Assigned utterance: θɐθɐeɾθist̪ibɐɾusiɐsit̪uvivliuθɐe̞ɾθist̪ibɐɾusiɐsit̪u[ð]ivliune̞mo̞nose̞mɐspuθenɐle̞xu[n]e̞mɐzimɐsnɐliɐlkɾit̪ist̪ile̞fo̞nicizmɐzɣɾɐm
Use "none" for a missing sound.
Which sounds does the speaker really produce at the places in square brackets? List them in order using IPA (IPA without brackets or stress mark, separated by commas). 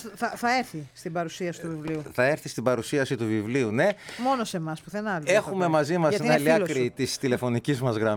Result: v, m